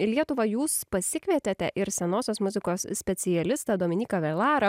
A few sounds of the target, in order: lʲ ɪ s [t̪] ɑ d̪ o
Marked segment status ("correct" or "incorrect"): correct